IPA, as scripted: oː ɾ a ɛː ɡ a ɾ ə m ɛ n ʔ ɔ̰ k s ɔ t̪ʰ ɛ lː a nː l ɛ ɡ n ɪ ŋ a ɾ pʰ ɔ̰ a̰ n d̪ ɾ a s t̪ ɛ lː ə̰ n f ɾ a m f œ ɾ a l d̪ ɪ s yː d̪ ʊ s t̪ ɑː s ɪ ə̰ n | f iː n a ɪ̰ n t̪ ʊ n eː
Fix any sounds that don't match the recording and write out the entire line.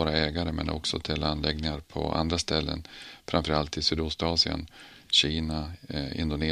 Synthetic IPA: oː ɾ a ɛː ɡ a ɾ ə m ɛ n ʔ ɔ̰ k s ɔ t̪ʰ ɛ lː a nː l ɛ ɡ n ɪ ŋ a ɾ pʰ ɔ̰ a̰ n d̪ ɾ a s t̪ ɛ lː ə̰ n f ɾ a m f œ ɾ a l t̪ ɪ s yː d̪ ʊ s t̪ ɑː s ɪ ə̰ n | ɕ iː n a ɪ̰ n d̪ ʊ n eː